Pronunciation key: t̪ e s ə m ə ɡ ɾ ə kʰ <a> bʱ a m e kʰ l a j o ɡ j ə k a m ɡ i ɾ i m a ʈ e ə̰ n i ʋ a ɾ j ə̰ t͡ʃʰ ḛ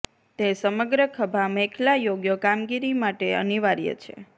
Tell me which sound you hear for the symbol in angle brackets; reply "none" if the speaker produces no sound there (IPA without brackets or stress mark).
ə